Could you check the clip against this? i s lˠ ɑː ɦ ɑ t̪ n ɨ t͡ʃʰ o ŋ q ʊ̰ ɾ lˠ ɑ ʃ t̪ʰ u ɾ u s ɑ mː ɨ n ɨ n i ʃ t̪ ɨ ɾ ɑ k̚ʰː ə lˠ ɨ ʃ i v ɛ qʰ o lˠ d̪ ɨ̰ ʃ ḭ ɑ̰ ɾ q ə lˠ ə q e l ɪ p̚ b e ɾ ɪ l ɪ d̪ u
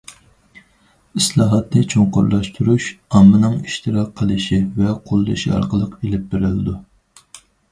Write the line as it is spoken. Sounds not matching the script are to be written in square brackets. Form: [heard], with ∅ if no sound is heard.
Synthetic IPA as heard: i s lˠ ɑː ɦ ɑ t̪ n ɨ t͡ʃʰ o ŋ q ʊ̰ ɾ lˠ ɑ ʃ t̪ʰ u ɾ u [ʃ] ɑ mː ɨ n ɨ [ŋ] i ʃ t̪ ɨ ɾ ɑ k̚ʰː ə lˠ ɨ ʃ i v ɛ qʰ o lˠ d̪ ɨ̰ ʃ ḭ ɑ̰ ɾ q ə lˠ ə q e l ɪ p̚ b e ɾ ɪ l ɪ d̪ u